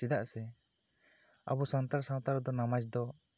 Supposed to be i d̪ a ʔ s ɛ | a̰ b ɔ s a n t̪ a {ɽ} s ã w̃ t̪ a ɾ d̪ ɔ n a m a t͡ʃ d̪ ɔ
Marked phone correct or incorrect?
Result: incorrect